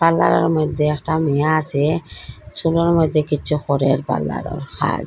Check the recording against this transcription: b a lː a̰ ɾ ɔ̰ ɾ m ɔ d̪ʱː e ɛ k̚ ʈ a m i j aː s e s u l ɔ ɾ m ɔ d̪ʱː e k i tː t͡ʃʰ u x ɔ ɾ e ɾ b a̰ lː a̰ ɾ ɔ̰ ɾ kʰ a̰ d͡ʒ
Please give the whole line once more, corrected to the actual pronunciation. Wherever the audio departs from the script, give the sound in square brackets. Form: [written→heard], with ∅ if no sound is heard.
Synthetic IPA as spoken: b a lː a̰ ɾ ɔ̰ ɾ m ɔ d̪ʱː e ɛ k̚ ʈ a m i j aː s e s u l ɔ ɾ m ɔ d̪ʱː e k i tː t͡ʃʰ u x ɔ ɾ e ɾ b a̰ lː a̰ ɾ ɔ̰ ɾ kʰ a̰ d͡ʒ